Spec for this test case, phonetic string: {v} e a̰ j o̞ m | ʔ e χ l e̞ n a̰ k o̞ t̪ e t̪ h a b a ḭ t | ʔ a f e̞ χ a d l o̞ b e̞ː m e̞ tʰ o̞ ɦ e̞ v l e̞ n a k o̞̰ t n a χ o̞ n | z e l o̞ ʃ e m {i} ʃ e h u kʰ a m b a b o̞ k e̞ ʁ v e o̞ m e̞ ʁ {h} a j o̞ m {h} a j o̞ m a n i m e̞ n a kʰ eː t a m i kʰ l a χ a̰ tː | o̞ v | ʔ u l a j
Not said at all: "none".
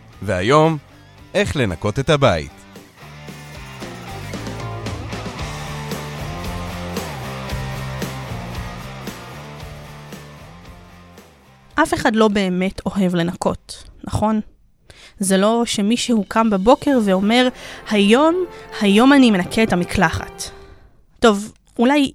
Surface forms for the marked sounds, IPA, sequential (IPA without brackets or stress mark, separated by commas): v, i, h, h